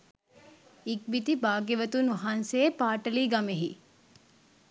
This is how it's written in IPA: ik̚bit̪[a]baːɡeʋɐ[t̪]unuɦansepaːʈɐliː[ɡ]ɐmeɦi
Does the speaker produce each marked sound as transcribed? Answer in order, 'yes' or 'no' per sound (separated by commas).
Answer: no, yes, yes